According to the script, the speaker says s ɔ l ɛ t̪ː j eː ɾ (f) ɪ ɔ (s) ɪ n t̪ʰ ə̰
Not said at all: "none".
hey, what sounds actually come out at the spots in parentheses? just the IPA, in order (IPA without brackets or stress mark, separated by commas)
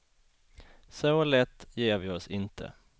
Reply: v, s